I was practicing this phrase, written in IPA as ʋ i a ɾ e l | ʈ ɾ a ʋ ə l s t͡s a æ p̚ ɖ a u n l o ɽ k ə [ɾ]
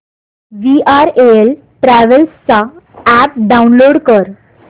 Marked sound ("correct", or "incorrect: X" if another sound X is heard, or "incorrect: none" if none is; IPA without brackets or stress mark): correct